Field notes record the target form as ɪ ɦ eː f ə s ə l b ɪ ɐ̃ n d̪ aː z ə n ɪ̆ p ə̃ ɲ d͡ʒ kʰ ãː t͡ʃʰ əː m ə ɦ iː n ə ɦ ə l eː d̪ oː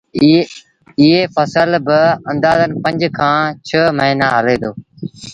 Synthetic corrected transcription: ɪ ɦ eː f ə s ə l b ɪ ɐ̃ n d̪ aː z ə n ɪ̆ p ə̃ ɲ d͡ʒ kʰ ãː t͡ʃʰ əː m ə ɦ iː n a ɦ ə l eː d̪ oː